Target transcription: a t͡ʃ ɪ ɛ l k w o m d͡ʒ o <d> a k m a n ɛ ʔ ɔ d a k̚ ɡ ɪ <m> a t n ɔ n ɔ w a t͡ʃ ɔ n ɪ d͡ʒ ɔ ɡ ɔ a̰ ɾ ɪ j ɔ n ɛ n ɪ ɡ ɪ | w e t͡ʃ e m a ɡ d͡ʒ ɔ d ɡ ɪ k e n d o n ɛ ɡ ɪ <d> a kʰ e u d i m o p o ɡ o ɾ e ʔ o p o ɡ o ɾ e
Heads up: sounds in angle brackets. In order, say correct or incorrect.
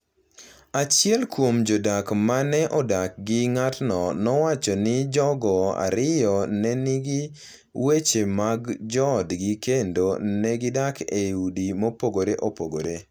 correct, incorrect: ŋ, correct

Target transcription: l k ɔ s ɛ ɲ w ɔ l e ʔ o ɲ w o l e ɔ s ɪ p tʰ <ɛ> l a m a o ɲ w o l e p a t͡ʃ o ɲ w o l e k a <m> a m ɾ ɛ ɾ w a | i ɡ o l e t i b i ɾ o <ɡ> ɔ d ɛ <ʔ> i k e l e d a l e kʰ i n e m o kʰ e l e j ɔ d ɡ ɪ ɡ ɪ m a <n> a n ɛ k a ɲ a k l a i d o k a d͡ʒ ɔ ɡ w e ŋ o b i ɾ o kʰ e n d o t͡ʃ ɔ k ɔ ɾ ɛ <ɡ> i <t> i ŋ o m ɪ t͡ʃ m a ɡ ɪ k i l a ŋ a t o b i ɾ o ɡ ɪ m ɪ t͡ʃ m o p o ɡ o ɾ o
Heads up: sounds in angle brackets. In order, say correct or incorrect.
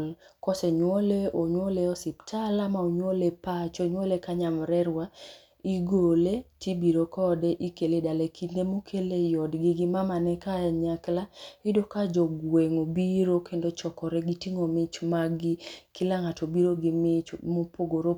incorrect: a, incorrect: ɲ, incorrect: k, correct, incorrect: m, correct, correct

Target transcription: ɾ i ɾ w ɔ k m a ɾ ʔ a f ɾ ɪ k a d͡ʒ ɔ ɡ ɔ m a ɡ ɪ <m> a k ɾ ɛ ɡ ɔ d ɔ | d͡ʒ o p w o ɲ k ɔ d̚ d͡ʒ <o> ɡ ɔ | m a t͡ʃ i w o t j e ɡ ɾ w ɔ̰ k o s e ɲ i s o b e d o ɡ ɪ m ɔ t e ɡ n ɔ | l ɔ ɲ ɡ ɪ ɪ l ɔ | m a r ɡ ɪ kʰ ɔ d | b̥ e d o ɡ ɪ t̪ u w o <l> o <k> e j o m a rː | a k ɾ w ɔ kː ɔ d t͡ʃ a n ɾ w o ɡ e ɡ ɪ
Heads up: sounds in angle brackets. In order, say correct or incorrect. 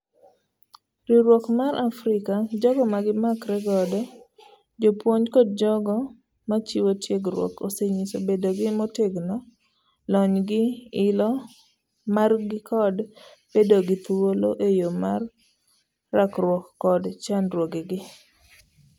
correct, incorrect: ɔ, correct, incorrect: ʔ

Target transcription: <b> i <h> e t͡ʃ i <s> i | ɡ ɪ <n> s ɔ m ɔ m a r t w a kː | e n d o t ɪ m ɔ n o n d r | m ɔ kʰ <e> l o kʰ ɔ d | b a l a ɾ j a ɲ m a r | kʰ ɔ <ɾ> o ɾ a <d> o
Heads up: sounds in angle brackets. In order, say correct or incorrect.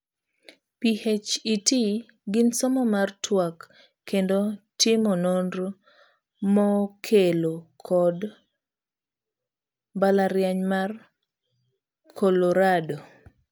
incorrect: p, correct, incorrect: t, correct, correct, incorrect: l, correct

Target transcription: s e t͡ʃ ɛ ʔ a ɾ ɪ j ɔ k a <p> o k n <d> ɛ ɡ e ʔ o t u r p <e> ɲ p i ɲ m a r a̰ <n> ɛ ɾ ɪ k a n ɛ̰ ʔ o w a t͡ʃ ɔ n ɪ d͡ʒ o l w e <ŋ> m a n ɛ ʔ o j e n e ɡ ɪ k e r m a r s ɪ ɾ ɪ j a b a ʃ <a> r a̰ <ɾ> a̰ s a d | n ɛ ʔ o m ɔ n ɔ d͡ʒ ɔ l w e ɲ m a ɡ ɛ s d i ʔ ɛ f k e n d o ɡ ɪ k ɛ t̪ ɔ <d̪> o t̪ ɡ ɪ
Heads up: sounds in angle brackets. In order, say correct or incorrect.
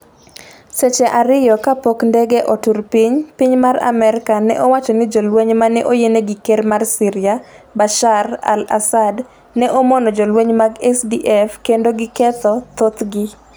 correct, correct, incorrect: i, incorrect: m, incorrect: ɲ, correct, incorrect: l, incorrect: t̪

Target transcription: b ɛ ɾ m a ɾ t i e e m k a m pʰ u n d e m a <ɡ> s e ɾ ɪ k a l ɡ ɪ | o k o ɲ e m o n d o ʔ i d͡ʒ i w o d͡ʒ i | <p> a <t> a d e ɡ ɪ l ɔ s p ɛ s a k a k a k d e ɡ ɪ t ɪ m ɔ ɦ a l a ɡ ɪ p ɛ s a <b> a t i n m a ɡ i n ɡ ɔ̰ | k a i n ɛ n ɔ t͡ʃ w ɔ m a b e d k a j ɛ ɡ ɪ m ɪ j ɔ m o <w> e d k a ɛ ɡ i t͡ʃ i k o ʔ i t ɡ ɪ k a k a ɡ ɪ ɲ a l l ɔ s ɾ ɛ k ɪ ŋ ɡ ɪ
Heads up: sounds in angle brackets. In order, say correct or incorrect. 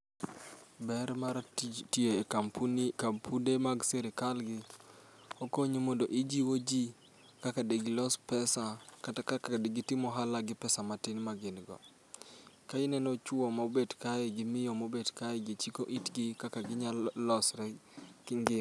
correct, incorrect: k, incorrect: k, incorrect: m, incorrect: b

